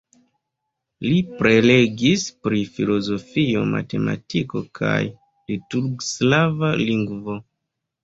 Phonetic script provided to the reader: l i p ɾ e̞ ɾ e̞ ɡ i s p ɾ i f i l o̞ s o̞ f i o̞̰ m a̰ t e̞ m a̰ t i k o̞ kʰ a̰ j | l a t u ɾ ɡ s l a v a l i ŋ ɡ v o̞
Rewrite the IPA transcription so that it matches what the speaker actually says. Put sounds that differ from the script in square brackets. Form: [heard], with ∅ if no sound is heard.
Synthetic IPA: l i p ɾ e̞ [l] e̞ ɡ i s p ɾ i f i l o̞ [z] o̞ f i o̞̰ m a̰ t e̞ m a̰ t i k o̞ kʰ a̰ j | l [i] t u ɾ ɡ s l a v a l i ŋ ɡ v o̞